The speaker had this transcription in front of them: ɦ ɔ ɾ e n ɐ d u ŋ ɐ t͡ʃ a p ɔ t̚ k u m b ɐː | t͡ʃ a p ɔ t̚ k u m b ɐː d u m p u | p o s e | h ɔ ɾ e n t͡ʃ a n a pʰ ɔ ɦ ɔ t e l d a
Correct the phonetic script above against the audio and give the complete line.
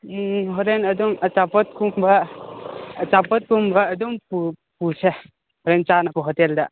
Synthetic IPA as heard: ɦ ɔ ɾ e n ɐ d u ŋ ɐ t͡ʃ a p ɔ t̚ k u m b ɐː | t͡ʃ a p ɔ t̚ k u m b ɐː d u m p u | p u s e | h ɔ ɾ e n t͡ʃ a n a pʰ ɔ ɦ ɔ t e l d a